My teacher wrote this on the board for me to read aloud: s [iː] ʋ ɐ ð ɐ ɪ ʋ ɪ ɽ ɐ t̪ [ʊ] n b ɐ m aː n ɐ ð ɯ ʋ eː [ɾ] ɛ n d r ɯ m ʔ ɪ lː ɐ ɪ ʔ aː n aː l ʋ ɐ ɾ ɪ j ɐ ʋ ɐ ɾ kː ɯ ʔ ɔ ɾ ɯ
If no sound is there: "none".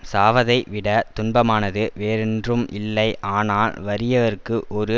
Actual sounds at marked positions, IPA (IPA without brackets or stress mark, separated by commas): aː, ʊ, ɾ